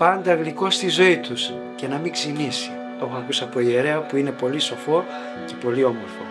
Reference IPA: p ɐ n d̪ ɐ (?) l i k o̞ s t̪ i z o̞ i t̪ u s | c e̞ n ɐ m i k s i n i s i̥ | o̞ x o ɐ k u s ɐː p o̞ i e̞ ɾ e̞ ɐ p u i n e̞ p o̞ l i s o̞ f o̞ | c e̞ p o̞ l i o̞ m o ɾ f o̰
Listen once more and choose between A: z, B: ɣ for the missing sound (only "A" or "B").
B